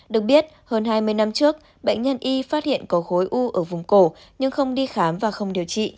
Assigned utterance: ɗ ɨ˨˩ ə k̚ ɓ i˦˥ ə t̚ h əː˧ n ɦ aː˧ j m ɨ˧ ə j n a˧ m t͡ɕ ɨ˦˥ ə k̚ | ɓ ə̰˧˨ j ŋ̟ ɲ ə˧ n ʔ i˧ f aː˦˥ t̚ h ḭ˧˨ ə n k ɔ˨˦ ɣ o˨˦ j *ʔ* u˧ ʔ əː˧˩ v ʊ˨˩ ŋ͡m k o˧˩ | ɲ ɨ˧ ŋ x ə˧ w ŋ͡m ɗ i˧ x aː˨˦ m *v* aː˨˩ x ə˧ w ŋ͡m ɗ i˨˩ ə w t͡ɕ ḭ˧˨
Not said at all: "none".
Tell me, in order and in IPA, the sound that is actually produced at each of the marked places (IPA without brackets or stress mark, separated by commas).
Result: ʔ, v